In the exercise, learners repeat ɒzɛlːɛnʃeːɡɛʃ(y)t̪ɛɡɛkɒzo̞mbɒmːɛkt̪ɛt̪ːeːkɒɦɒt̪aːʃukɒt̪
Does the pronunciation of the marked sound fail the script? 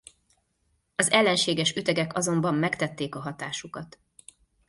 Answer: no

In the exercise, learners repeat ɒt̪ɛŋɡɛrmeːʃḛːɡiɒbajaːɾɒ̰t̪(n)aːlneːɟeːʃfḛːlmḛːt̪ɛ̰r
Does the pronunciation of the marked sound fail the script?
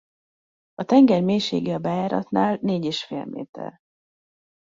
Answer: no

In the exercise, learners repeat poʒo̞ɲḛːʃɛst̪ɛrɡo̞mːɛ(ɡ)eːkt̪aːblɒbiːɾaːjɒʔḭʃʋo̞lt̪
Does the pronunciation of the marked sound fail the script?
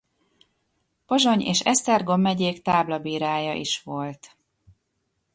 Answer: yes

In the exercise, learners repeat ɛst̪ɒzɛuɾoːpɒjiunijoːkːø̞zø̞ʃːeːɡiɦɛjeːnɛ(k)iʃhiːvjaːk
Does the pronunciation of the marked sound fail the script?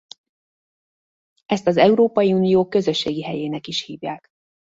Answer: no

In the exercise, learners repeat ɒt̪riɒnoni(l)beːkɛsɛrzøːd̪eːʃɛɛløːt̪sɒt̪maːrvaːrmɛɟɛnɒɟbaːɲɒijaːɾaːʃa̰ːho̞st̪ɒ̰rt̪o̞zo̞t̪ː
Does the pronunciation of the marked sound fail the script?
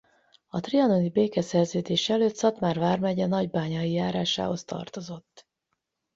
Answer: yes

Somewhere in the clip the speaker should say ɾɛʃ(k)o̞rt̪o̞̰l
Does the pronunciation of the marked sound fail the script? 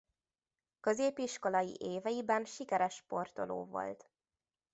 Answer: yes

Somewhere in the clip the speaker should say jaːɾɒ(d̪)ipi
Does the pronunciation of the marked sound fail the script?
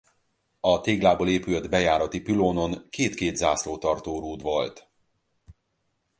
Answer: yes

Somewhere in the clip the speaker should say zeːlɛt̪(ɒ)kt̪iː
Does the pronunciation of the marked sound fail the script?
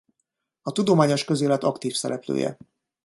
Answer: no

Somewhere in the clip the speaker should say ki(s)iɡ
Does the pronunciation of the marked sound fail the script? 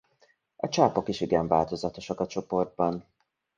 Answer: yes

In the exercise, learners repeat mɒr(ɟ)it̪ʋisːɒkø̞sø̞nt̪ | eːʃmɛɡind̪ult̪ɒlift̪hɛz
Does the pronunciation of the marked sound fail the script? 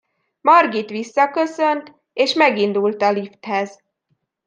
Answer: yes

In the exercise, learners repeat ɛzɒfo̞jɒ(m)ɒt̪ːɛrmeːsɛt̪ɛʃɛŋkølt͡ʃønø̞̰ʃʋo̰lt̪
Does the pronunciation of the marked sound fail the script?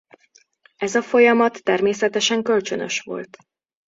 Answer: no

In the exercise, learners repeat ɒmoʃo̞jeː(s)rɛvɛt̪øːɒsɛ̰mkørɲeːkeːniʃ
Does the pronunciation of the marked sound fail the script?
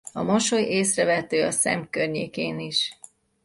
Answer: no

